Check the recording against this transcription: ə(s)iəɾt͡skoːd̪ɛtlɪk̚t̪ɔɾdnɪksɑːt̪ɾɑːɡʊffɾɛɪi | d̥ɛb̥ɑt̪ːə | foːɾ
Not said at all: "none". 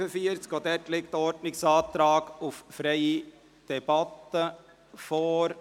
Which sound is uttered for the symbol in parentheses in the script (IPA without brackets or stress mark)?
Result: f